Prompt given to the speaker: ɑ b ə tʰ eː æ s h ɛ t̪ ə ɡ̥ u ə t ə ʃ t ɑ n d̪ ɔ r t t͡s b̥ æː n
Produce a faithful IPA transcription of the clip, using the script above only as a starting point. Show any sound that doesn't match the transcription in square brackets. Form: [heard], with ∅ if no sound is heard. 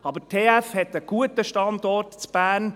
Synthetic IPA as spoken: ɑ b ə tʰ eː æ [f] h ɛ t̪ ə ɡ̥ u ə t ə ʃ t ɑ n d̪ ɔ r t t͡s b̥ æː n